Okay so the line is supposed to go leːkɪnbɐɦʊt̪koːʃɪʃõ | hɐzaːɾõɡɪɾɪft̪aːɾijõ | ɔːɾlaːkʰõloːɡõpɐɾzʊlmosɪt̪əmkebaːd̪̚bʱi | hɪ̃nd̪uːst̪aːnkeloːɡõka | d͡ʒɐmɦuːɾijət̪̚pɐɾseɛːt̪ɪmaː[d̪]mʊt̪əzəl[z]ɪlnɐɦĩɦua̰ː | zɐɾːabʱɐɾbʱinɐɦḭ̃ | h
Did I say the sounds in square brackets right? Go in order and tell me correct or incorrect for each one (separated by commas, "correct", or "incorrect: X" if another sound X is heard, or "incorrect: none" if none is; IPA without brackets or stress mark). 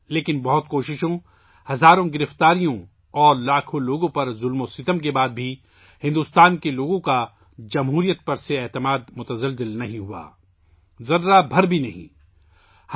correct, correct